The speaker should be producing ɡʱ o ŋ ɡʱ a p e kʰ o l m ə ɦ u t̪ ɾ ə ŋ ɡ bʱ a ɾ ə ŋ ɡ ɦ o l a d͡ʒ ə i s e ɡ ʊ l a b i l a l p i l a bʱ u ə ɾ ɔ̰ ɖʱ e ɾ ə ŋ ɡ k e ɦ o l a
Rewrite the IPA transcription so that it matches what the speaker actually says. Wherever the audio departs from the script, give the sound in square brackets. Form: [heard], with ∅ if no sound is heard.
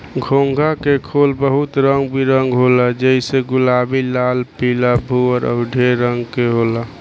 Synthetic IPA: ɡʱ o ŋ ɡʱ a [k] e kʰ o l [b] ə ɦ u t̪ ɾ ə ŋ ɡ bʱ [i] ɾ ə ŋ ɡ ɦ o l a d͡ʒ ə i s e ɡ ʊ l a b i l a l p i l a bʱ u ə ɾ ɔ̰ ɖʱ e ɾ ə ŋ ɡ k e ɦ o l a